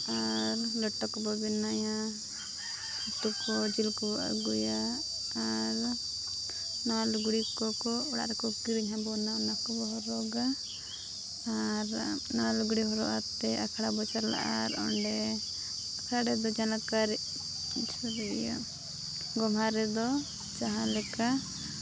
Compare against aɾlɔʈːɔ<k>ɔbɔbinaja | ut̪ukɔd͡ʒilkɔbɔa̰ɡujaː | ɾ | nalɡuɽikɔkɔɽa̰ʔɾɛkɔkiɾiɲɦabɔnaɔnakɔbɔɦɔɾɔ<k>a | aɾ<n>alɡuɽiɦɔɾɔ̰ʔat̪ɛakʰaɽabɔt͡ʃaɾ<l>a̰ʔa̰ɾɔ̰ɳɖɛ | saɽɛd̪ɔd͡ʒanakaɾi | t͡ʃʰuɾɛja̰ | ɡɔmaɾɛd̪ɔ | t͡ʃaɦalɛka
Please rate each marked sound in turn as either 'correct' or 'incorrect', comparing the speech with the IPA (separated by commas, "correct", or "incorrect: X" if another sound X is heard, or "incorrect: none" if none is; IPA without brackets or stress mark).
correct, incorrect: ɡ, correct, correct